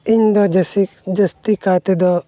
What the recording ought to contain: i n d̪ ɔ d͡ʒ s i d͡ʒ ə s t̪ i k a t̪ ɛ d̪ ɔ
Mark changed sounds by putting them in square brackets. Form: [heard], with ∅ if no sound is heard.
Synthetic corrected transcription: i [ɲ] d̪ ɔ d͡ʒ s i d͡ʒ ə s t̪ i k a t̪ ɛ d̪ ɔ